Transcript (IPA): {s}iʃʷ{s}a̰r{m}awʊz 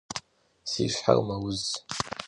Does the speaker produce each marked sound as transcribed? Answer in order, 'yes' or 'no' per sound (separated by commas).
yes, no, yes